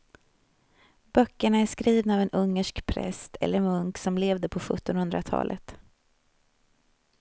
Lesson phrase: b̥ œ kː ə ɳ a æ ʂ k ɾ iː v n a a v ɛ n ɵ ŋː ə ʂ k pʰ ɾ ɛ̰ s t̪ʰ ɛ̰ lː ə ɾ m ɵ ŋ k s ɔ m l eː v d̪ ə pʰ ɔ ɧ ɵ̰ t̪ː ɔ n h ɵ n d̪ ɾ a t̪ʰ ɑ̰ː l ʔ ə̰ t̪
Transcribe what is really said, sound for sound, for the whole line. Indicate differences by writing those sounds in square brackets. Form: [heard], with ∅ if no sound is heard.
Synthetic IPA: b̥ œ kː ə ɳ a æ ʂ k ɾ iː v n a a v ɛ n ɵ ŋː ə ʂ k pʰ ɾ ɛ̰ s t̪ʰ ɛ̰ lː ə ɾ m ɵ ŋ k s ɔ m l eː v d̪ ə pʰ ɔ ɧ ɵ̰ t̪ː ɔ n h ɵ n d̪ ɾ a t̪ʰ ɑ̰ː l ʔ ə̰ t̪